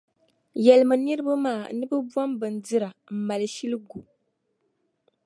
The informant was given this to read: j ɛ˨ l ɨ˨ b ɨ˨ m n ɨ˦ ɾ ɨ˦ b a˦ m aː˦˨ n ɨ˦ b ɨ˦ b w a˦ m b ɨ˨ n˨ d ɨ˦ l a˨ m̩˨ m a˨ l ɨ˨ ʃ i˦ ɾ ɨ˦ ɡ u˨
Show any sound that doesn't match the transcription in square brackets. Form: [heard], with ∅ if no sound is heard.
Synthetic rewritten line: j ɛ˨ l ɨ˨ [m] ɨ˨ [∅] n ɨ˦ ɾ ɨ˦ b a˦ m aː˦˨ n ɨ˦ b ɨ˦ b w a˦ m b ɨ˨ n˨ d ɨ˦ [ɾ] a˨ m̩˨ m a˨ l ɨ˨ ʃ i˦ [l] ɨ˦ ɡ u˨